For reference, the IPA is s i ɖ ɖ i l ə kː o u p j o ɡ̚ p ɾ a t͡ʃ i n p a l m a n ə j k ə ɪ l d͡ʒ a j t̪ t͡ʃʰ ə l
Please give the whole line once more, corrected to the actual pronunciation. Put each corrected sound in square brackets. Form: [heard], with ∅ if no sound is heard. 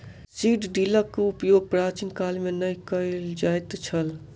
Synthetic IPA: s i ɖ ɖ i l ə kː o u p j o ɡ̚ p ɾ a t͡ʃ i n [k] a l m [e] n ə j k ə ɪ l d͡ʒ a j t̪ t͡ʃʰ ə l